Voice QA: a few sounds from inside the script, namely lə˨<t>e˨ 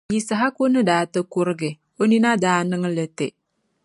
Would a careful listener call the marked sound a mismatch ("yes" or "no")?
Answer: no